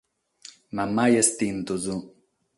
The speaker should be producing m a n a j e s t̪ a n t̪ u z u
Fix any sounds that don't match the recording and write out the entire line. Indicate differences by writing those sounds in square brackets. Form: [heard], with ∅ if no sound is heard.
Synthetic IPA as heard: m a [m] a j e s t̪ [i] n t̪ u z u